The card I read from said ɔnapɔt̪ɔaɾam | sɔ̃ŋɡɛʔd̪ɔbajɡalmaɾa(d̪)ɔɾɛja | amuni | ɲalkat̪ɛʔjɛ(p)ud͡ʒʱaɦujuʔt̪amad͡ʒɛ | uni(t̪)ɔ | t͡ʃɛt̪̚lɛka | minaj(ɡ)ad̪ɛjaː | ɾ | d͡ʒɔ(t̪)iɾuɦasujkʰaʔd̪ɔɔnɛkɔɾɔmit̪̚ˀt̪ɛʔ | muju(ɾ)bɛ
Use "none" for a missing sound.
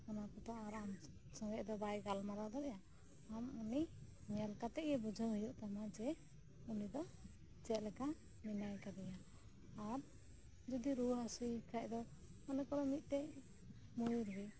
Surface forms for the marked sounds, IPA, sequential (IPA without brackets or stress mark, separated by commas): d̪, b, d̪, k, d̪, ɾ